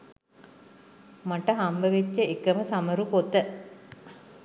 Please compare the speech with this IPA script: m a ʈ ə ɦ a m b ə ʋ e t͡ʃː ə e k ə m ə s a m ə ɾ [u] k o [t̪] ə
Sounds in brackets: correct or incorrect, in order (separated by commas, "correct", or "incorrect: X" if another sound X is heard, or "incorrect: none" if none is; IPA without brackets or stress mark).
correct, correct